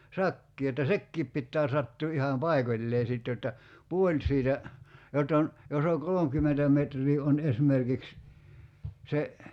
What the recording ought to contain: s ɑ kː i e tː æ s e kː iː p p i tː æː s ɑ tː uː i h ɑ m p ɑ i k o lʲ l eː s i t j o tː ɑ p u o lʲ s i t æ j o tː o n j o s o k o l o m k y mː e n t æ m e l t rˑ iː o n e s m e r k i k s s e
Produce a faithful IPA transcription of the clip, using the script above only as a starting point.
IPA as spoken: s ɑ kː iː e tː æ s e kː iː p p i tː æː s ɑ tː uː i h ɑ m p ɑ i k o lʲ l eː s i t j o tː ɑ p u o lʲ s iː t æ j o tː o n j o s o k o l o m k y mː e n t æ m e t rˑ iː o n e s m e r k i k s s e

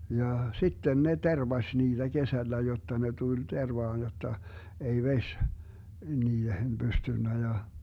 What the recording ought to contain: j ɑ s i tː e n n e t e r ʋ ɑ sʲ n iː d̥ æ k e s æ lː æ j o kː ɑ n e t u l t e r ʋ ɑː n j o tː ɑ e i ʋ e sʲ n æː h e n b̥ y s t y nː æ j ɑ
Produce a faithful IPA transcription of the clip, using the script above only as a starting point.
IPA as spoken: j ɑ s i tː e n n e t e r ʋ ɑ sʲ n iː d̥ æ k e s æ lː æ j o tː ɑ n e t u l t e r ʋ ɑː n j o tː ɑ e i ʋ e sʲ n iː h e n b̥ y s t y nː æ j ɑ

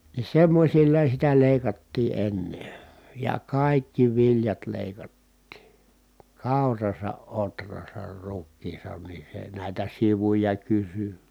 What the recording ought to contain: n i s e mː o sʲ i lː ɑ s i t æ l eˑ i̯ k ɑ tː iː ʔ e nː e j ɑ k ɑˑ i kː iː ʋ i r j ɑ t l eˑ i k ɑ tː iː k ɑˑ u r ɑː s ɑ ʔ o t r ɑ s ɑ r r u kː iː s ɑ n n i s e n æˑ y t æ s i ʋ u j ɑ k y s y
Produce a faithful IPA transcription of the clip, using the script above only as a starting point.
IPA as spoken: n i s e mː o sʲ i lː ɑ s i t æ l eˑ i̯ k ɑ tː iː ʔ e nː e j ɑ k ɑˑ i kː i ʋ i l j ɑ t l eˑ i k ɑ tː iː k ɑˑ u r ɑ s ɑ ʔ o t r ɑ s ɑ r r u kː iː s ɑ n n i s e n æˑ i t æ s i ʋ u j ɑ k y s y

